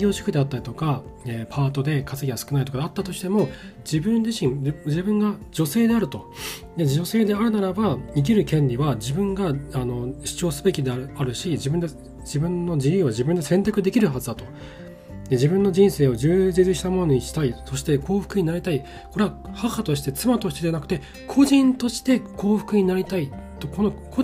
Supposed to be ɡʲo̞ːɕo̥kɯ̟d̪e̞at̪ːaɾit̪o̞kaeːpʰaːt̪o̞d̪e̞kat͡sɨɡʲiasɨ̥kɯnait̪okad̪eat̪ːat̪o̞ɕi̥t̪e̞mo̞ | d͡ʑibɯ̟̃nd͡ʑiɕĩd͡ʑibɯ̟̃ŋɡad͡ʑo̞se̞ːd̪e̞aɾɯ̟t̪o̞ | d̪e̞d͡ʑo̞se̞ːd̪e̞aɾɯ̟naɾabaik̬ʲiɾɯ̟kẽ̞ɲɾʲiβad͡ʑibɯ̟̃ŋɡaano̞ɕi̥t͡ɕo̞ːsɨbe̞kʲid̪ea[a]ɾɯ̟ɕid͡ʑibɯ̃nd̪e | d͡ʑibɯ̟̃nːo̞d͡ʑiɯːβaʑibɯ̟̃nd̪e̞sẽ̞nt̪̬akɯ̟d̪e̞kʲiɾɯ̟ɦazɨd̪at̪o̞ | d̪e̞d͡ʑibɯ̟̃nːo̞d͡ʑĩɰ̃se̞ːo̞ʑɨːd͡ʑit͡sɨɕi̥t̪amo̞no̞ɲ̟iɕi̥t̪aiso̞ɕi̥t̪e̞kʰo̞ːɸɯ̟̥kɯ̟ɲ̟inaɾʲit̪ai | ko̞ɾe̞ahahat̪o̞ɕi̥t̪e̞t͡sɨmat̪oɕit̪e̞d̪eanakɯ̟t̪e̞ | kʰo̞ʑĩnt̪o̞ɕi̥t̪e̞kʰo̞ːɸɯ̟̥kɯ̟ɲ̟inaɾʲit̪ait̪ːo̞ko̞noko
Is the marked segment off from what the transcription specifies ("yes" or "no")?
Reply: no